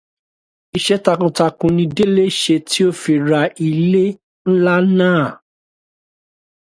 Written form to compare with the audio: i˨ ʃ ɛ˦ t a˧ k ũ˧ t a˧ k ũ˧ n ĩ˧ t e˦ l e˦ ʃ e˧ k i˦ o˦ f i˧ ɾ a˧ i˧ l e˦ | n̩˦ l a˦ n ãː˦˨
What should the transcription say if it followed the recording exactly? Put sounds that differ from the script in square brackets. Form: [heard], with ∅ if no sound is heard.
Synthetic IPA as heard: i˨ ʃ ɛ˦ t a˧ k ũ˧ t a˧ k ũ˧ n ĩ˧ [d] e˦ l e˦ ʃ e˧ [t] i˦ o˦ f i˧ ɾ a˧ i˧ l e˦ | n̩˦ l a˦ n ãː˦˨